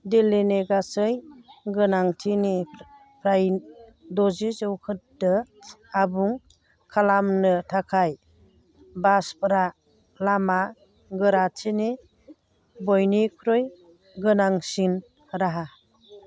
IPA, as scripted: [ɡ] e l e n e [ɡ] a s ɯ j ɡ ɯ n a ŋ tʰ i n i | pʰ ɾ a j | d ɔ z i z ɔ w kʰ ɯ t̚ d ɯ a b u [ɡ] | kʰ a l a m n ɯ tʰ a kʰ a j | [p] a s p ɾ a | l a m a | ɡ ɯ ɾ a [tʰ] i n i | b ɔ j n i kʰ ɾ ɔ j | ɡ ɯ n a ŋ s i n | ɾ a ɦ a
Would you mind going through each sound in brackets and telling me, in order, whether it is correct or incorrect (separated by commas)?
incorrect, correct, incorrect, incorrect, correct